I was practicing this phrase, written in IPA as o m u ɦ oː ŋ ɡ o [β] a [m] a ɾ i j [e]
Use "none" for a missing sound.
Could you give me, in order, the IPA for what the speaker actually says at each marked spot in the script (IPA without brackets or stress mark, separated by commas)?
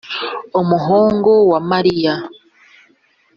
w, m, a